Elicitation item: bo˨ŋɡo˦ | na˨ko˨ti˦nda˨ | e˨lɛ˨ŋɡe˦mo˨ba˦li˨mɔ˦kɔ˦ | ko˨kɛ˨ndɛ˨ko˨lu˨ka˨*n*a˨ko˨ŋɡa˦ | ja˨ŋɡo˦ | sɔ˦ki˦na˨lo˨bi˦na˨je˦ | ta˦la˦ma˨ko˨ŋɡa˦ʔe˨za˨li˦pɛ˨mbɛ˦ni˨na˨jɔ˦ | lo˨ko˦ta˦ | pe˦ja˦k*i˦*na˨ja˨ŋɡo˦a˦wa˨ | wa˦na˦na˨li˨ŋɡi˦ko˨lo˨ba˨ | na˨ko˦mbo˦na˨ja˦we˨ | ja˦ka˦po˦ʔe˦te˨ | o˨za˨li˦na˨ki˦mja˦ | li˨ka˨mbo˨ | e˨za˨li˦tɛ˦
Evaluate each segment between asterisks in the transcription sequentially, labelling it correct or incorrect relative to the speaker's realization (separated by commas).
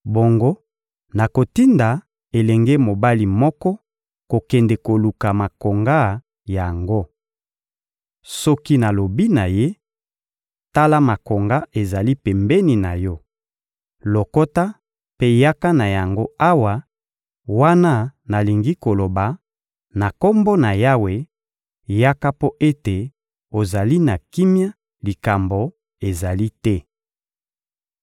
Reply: incorrect, incorrect